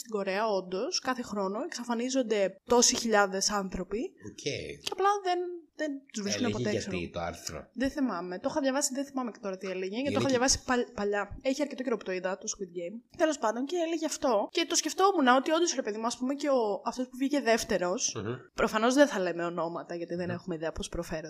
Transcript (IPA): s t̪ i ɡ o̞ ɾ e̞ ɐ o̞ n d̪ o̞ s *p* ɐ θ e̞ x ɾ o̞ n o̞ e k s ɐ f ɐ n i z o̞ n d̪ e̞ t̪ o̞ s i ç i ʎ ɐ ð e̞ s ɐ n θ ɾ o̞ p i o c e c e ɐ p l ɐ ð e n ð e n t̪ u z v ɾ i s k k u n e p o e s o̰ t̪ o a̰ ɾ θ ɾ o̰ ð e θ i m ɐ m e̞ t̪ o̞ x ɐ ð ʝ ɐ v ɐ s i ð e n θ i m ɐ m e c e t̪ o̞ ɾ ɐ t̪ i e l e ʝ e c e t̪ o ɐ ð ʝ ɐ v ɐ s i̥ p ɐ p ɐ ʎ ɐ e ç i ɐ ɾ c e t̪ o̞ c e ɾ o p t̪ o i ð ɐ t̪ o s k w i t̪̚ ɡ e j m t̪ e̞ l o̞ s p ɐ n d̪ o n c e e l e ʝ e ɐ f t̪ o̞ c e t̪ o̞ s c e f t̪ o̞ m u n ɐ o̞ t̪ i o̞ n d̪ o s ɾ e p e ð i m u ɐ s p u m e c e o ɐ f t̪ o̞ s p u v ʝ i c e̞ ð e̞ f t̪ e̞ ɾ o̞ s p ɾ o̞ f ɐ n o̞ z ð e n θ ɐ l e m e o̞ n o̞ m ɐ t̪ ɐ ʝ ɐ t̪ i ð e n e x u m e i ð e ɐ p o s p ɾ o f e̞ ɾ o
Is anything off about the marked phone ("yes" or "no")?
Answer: yes